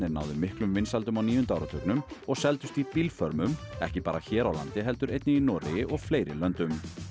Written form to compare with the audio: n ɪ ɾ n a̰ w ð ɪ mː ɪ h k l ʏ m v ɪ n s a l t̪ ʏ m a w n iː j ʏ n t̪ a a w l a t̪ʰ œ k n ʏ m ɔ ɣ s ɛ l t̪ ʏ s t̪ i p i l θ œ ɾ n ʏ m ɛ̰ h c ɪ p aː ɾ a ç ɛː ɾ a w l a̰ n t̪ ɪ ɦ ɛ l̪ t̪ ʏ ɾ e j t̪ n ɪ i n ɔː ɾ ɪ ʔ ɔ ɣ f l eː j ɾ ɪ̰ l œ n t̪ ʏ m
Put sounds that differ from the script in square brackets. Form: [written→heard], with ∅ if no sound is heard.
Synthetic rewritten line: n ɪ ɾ n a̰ w ð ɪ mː ɪ h k l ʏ m v ɪ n s a l t̪ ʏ m a w n iː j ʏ n t̪ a a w [l→ɾ] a t̪ʰ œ k n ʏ m ɔ ɣ s ɛ l t̪ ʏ s t̪ i p i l [θ→f] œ ɾ [n→m] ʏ m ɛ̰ h c ɪ p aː ɾ a ç ɛː ɾ a w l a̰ n t̪ ɪ ɦ ɛ l̪ t̪ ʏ ɾ e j t̪ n ɪ i n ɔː ɾ ɪ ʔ ɔ ɣ f l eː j ɾ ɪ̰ l œ n t̪ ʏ m

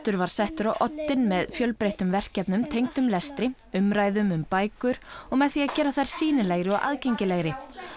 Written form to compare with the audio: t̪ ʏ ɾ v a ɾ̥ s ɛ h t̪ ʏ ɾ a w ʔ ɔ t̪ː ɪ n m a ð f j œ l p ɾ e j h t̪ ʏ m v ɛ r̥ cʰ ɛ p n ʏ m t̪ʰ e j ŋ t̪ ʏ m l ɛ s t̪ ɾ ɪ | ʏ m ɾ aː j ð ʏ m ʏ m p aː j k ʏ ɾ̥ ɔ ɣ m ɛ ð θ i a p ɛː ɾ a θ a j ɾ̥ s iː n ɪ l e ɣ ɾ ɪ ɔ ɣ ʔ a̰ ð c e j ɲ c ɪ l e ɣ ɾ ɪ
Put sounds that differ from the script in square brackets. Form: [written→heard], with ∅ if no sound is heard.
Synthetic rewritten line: t̪ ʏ ɾ v a ɾ̥ s ɛ h t̪ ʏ ɾ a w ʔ ɔ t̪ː ɪ n m [a→ɛ] ð f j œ l p ɾ e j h t̪ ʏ m v ɛ r̥ [cʰ→c] ɛ p n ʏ m t̪ʰ e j ŋ t̪ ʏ m l ɛ s t̪ ɾ ɪ | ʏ m ɾ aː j ð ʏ m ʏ m p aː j k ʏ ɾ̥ ɔ ɣ m ɛ ð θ i a [p→c] ɛː ɾ a θ a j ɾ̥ s iː n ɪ l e ɣ ɾ ɪ ɔ ɣ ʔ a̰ ð c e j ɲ c ɪ l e ɣ ɾ ɪ

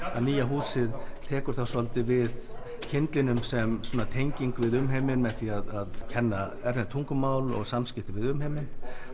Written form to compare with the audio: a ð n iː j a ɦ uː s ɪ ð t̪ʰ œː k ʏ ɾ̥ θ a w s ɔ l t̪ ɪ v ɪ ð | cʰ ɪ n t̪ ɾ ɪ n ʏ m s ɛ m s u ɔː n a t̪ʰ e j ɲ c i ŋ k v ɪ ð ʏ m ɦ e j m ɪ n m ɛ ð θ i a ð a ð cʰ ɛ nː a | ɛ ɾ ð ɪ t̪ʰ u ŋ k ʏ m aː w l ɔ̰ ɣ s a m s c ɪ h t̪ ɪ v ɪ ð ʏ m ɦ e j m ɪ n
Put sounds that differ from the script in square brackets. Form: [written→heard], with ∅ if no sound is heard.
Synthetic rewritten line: a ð n iː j a ɦ uː s ɪ ð t̪ʰ [œː→ɛː] k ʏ ɾ̥ θ a w s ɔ l t̪ ɪ v ɪ ð | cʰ ɪ n t̪ [ɾ→l] ɪ n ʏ m s ɛ m s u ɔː n a t̪ʰ e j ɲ c i ŋ k v ɪ ð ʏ m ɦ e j m ɪ n m ɛ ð θ i a ð a ð cʰ ɛ nː a | ɛ ɾ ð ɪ t̪ʰ u ŋ k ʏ m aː w l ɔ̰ ɣ s a m s c ɪ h t̪ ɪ v ɪ ð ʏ m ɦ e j m ɪ n

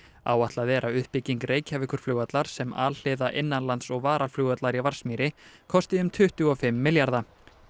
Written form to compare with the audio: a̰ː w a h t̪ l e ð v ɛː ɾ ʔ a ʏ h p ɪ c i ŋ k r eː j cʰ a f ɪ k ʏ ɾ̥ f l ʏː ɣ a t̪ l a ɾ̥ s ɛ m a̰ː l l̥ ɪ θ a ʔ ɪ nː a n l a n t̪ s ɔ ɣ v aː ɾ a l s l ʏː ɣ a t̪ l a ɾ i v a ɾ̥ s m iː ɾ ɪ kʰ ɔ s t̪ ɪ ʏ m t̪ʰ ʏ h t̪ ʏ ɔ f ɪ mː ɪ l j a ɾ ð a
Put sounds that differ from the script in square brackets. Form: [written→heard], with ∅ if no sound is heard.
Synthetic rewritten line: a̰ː w a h t̪ l [e→a] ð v ɛː ɾ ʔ a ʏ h p ɪ c i ŋ k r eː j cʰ a [f→v] ɪ k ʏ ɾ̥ f l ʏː ɣ a t̪ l a ɾ̥ s ɛ m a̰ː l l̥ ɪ [θ→ð] a ʔ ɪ nː a n l a n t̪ s ɔ ɣ v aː ɾ a l [s→f] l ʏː ɣ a t̪ l a ɾ i v a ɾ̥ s m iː ɾ ɪ kʰ ɔ s t̪ ɪ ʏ m t̪ʰ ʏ h t̪ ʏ ɔ f ɪ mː ɪ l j a ɾ ð a

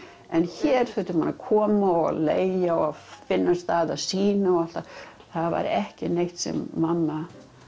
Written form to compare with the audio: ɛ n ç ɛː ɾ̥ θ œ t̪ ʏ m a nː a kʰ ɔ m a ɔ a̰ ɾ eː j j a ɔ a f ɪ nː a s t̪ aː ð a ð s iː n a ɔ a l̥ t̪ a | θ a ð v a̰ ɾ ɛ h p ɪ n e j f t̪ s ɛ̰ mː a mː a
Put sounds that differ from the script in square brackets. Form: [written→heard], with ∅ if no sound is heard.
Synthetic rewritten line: ɛ n ç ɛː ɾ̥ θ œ t̪ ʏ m a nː a kʰ [ɔ→ɔː] m a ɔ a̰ [ɾ→l] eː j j a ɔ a f ɪ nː a s t̪ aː ð a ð s iː n a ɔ a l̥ t̪ a | θ a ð v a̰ ɾ ɛ h [p→c] ɪ n e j [f→h] t̪ s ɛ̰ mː a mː a

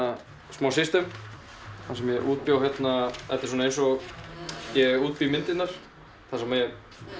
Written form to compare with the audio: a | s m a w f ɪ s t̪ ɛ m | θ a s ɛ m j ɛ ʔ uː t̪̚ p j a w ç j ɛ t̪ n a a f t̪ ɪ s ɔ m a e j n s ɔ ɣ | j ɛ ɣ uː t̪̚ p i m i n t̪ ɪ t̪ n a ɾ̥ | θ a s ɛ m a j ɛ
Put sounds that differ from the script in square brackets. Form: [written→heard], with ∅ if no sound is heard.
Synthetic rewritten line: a | s m a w [f→s] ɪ s t̪ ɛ m | θ a s ɛ m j ɛ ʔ uː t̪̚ p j a w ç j ɛ t̪ n a [a→ɛ] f t̪ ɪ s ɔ [m→n] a e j n s ɔ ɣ | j ɛ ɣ uː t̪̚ p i m [i→ɪ] n t̪ ɪ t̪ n a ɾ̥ | θ a s ɛ m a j ɛ

